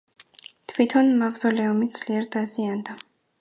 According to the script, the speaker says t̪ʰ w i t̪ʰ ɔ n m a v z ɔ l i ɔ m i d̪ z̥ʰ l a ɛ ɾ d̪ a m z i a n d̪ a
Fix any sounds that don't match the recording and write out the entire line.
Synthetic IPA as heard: t̪ʰ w i t̪ʰ ɔ n m a v z ɔ l ɛ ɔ m i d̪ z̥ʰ l i ɛ ɾ d̪ a z i a n d̪ a